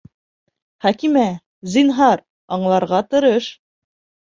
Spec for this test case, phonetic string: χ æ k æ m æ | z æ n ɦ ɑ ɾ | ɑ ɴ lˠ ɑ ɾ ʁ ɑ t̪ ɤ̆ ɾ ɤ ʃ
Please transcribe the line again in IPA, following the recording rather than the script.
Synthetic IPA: χ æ k i m æ | z i n ɦ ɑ ɾ | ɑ ɴ lˠ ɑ ɾ ʁ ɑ t̪ ɤ̆ ɾ ɤ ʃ